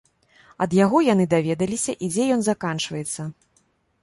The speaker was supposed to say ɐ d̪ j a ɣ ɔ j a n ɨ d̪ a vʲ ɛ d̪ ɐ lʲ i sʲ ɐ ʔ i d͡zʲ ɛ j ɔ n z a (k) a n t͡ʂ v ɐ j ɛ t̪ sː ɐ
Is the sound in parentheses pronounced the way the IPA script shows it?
yes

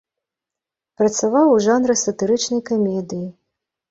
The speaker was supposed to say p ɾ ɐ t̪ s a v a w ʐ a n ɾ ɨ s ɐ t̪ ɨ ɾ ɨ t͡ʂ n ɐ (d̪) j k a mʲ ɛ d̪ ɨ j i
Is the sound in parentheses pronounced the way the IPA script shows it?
no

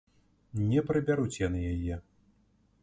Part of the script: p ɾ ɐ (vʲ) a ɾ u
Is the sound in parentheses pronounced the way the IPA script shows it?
no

